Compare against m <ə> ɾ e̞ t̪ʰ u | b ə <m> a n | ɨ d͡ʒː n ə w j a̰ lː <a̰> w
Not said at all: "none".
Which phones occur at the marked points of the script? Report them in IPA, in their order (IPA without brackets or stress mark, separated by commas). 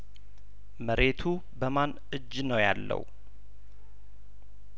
ə, m, ə̰